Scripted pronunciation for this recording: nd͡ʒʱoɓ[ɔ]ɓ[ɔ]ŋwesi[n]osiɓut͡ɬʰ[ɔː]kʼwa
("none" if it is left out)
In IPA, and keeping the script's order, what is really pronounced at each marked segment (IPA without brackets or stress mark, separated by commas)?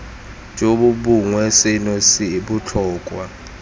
u, u, n, ɔː